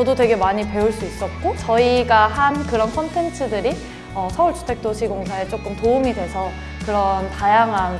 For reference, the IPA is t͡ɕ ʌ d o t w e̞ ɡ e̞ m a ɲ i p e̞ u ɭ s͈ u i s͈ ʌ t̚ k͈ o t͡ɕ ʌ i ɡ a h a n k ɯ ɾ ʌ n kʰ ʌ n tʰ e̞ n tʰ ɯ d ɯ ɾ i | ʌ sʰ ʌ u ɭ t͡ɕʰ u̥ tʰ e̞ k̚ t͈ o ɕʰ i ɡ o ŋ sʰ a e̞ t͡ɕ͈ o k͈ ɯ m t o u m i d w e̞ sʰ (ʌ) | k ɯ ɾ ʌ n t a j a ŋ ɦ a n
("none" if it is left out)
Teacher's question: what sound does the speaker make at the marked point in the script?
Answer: ʌ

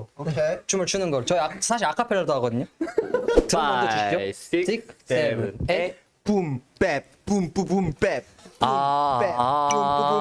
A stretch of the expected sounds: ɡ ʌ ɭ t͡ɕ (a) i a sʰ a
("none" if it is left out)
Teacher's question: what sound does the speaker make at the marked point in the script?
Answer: ʌ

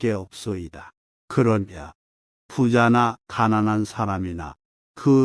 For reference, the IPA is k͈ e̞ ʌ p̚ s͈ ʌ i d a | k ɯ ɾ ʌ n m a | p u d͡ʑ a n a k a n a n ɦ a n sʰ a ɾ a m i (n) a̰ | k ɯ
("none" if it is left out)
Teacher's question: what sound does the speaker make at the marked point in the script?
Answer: n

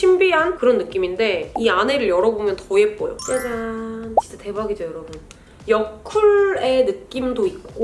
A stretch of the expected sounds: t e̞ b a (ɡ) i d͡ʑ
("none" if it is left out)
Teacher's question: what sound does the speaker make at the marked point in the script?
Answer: ɡ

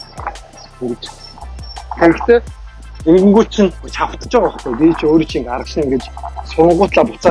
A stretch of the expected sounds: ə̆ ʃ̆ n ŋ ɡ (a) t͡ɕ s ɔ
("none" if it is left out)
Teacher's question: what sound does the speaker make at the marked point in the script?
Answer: e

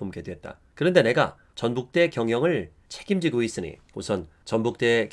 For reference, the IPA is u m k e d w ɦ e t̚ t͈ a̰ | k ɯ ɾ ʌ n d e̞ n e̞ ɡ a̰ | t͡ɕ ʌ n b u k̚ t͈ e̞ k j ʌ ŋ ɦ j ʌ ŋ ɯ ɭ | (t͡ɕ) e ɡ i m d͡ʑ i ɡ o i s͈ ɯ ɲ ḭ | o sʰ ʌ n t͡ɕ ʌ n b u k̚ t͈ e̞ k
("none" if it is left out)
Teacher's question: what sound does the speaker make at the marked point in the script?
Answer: t͡ɕʰ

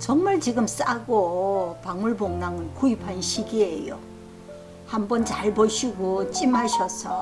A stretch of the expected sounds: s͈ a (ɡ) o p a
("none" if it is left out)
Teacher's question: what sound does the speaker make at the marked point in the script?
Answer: ɡ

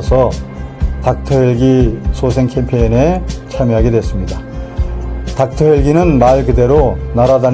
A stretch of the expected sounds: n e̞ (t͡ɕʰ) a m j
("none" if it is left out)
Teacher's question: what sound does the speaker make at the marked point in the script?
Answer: t͡ɕʰ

